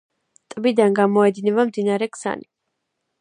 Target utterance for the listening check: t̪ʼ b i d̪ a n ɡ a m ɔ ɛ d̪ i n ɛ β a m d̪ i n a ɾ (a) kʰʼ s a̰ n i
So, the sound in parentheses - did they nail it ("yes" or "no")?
no